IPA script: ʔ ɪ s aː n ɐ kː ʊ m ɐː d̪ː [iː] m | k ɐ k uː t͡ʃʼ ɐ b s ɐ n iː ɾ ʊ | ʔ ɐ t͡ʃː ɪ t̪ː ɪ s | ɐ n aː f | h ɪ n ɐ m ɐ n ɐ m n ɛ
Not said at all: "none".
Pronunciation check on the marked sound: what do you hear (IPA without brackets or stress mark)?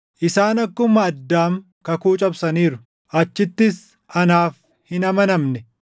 aː